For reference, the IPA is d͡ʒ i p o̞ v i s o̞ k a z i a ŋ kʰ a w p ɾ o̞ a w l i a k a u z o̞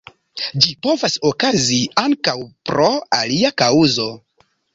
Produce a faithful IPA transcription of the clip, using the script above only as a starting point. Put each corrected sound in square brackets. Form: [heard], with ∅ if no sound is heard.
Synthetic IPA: d͡ʒ i p o̞ v [a] s o̞ k a z i a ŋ [k] a w p ɾ o̞ a [∅] l i a k a u z o̞